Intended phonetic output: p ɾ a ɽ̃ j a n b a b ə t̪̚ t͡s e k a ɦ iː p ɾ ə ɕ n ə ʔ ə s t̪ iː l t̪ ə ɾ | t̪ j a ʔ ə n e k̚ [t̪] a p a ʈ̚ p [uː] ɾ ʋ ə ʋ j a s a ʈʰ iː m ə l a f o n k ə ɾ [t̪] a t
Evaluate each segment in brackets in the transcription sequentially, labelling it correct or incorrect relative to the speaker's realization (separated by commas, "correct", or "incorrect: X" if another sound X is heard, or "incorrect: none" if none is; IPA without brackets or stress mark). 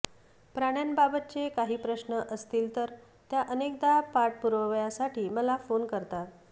incorrect: d̪, incorrect: u, correct